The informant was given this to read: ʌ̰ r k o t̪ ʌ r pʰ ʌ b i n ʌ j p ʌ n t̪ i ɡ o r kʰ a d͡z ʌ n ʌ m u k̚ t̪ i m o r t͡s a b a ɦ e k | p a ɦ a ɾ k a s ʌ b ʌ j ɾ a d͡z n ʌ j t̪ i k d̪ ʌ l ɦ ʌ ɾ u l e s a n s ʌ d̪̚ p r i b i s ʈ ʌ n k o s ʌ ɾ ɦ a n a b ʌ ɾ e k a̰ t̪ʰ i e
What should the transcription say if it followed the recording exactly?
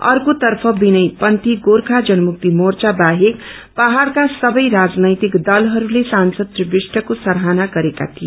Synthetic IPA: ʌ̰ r k o t̪ ʌ r pʰ ʌ b i n ʌ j p ʌ n t̪ i ɡ o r kʰ a d͡z ʌ n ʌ m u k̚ t̪ i m o r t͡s a b a ɦ e k | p a ɦ a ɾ k a s ʌ b ʌ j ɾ a d͡z n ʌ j t̪ i k d̪ ʌ l ɦ ʌ ɾ u l e s a n s ʌ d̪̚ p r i b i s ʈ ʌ k o s ʌ ɾ ɦ a n a ɡ ʌ ɾ e k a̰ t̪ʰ i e